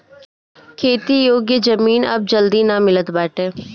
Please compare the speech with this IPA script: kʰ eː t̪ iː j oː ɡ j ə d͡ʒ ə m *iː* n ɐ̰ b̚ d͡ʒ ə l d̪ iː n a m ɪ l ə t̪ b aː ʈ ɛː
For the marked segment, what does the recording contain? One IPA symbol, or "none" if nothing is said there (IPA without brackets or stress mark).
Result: iː